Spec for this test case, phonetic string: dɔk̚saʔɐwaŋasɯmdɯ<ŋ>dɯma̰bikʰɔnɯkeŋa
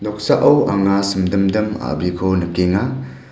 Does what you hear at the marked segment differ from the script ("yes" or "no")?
yes